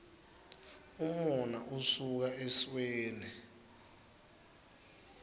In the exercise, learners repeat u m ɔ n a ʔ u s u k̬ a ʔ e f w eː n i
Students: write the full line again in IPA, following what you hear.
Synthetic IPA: u m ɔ n a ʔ u s u k̬ a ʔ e s w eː n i